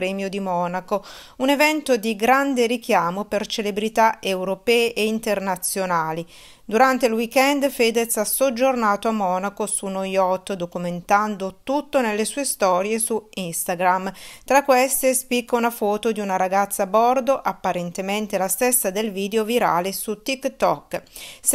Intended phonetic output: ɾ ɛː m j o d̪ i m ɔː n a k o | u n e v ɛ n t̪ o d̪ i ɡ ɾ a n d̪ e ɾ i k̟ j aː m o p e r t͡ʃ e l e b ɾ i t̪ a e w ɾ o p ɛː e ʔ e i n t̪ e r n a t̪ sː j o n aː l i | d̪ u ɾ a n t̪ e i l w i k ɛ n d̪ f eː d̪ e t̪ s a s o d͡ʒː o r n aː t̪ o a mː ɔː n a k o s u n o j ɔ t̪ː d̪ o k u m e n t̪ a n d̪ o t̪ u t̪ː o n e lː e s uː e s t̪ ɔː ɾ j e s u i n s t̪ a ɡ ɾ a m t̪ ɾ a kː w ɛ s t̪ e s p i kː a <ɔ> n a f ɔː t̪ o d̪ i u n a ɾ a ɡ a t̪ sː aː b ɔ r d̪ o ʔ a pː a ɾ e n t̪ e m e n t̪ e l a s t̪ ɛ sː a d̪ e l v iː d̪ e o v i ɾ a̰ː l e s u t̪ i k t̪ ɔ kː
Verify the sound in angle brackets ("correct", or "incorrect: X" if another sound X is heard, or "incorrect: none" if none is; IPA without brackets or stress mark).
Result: incorrect: u